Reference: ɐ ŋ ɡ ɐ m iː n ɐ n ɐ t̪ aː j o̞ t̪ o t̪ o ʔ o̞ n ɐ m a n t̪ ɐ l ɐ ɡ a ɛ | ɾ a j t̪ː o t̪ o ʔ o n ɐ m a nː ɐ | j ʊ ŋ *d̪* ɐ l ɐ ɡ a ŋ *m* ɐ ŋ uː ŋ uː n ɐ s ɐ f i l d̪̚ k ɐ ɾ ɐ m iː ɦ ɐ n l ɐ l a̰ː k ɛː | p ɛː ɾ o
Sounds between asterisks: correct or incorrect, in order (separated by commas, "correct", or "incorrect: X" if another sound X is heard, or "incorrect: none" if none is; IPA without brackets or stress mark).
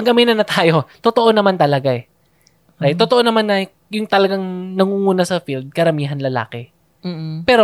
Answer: incorrect: t̪, incorrect: n